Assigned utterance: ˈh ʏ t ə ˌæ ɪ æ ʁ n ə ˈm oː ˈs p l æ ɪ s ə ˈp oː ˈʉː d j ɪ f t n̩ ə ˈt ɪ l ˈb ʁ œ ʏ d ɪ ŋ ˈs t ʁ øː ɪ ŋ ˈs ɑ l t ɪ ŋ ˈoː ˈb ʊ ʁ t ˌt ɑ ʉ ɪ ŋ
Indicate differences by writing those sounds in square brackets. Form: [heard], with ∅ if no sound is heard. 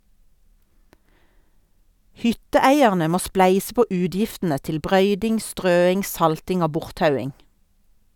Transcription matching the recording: ˈh ʏ t ə ˌæ ɪ æ ʁ n ə ˈm oː ˈs p l æ ɪ s ə ˈp oː ˈʉː d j ɪ f t n̩ ə ˈt ɪ l ˈb ʁ œ ʏ d ɪ ŋ ˈs t ʁ øː ɪ ŋ ˈs ɑ l t ɪ ŋ ˈoː ˈb ʊ ʁ t ˌt ɑ ʉ ɪ ŋ